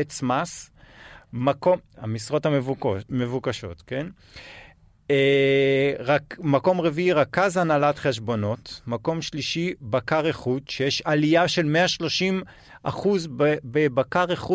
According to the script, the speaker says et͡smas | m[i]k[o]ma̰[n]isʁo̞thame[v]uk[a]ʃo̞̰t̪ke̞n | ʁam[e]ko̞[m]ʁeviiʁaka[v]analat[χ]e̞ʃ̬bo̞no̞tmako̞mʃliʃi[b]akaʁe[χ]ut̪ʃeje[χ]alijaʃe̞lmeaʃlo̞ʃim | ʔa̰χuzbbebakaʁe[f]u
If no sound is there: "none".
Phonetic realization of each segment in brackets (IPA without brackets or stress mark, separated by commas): a, o, m, v, a, a, m, z, χ, b, χ, ʃ, χ